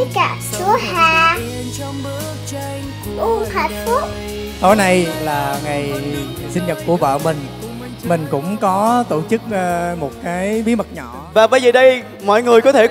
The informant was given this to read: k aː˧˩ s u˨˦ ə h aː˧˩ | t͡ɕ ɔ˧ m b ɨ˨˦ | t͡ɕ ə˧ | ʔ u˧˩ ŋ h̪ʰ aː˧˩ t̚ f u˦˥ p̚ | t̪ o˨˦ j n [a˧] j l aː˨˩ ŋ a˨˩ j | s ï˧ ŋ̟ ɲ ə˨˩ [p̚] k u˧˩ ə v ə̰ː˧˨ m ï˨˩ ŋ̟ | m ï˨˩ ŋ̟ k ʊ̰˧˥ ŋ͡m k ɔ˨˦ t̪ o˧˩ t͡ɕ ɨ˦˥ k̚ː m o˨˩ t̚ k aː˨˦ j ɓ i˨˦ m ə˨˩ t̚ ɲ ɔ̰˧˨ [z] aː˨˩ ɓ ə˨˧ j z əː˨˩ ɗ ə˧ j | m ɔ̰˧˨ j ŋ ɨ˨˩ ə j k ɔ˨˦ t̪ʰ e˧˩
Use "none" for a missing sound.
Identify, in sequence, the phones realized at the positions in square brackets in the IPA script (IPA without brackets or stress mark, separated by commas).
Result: a˧, t̚, v